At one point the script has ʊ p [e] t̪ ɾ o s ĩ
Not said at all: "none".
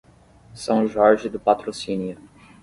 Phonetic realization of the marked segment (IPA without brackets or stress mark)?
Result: a